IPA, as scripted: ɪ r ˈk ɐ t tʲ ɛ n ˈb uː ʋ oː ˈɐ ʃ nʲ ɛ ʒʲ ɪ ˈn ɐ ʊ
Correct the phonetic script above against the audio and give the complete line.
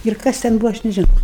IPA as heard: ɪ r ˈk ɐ s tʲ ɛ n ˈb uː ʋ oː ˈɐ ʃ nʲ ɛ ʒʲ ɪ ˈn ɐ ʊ